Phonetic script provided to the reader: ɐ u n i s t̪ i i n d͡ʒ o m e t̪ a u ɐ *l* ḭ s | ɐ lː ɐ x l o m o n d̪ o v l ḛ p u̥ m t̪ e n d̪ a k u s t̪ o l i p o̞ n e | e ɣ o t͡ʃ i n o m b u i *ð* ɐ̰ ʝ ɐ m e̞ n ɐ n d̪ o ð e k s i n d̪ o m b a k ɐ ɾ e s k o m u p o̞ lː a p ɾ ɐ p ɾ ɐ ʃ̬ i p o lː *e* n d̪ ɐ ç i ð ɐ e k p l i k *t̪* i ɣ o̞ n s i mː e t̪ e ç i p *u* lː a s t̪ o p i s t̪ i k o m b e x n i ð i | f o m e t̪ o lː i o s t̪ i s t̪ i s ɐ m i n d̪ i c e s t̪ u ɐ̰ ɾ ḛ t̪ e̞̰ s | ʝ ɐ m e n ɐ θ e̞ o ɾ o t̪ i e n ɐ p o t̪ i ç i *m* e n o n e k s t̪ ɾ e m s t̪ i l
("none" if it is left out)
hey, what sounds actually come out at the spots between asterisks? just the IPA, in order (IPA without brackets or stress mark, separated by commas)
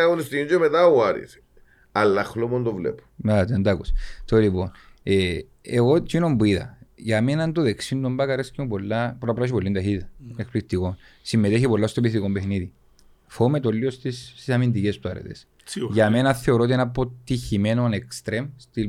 ɾ, ð, i, t̪, o, m